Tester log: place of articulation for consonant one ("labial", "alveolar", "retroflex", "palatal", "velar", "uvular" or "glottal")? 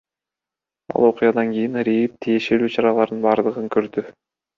alveolar